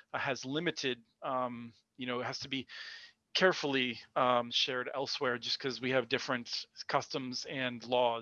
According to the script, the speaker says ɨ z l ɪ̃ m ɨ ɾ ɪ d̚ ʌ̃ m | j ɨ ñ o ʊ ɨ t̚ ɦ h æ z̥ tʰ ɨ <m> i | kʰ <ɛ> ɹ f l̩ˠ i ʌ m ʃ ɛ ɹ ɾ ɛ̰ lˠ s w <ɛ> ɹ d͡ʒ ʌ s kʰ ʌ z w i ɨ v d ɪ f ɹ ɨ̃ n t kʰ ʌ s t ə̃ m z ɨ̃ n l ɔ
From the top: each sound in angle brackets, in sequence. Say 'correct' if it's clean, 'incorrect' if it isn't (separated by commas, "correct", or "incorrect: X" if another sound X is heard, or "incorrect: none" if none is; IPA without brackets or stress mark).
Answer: incorrect: b, correct, correct